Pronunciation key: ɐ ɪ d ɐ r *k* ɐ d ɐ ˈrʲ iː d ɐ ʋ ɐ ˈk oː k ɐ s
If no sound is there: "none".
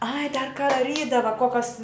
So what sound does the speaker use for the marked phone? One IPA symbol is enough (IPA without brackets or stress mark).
k